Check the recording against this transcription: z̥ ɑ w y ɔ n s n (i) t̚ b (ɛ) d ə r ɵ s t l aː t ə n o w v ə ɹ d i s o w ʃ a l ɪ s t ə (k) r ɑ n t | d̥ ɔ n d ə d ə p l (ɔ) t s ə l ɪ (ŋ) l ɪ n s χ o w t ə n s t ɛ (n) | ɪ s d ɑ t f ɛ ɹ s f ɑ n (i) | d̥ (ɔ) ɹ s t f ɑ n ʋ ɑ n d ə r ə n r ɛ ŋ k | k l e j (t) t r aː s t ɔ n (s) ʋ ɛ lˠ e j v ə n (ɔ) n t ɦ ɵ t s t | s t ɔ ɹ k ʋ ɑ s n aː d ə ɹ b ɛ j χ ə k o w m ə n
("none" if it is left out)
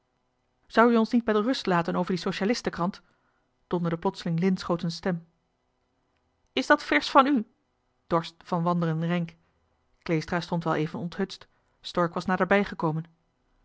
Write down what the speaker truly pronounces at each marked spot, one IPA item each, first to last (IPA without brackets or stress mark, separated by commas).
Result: i, ɛ, k, ɔ, ŋ, m, y, ɔ, s, t, ɔ